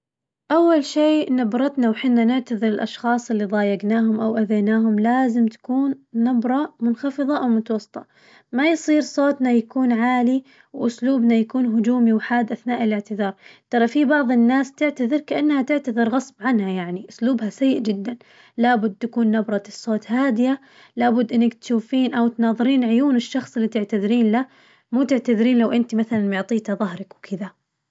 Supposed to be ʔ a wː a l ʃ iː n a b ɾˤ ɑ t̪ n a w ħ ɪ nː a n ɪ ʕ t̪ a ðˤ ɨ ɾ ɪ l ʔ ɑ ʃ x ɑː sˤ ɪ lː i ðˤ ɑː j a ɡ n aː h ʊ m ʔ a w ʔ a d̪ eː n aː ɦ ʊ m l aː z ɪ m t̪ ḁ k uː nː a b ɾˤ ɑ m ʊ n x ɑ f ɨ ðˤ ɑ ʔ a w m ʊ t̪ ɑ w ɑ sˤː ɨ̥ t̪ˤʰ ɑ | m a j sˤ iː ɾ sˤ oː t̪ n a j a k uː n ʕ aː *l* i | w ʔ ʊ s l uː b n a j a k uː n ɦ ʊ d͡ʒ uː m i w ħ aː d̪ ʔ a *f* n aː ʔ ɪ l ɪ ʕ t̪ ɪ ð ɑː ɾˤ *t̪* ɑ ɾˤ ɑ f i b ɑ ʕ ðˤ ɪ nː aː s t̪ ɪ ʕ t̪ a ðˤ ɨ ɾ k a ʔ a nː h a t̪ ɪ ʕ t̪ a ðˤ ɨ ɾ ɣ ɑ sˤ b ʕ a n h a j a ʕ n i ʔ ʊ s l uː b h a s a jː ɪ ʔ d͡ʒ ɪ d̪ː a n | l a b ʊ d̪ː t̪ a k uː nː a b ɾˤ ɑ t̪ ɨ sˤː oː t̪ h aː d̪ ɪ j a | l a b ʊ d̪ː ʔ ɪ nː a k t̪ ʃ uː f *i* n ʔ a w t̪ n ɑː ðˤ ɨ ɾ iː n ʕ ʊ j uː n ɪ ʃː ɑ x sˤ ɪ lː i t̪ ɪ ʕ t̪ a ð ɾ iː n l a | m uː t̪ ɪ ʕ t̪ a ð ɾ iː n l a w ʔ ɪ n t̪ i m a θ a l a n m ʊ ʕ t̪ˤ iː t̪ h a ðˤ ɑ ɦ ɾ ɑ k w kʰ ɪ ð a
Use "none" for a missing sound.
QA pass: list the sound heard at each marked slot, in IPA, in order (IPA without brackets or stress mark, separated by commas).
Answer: l, θ, t̪, iː